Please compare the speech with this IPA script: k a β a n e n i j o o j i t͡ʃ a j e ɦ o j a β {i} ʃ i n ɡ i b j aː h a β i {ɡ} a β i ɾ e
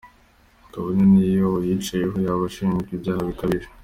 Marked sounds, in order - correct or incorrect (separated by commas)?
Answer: incorrect, incorrect